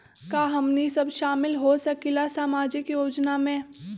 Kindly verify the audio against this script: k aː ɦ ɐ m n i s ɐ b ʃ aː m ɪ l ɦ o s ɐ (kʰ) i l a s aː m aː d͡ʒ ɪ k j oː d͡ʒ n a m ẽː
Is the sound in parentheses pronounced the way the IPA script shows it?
no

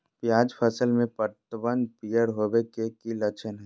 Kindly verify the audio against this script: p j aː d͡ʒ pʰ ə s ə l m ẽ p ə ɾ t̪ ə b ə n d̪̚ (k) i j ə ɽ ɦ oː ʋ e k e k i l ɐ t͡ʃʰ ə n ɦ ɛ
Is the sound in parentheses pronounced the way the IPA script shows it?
no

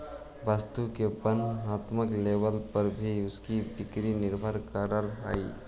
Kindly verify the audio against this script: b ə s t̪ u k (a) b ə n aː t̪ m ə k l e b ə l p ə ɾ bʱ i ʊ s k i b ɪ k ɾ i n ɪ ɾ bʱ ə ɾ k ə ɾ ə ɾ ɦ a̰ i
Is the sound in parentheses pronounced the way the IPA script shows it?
no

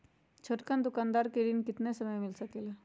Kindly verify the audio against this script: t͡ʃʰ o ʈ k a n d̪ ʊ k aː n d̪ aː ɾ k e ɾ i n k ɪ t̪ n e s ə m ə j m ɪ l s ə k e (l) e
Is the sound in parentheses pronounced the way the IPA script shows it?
yes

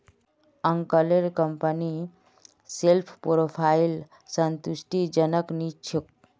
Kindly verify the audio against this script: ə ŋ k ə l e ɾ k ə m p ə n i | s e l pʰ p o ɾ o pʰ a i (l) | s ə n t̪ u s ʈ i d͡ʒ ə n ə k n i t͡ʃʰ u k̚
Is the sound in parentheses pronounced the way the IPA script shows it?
yes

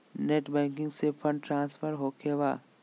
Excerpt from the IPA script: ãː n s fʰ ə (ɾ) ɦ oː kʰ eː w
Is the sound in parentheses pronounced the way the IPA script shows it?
yes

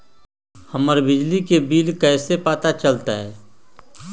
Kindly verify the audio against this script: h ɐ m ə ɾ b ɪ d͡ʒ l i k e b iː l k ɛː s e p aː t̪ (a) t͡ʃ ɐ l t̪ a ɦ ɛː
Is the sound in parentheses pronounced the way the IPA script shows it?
yes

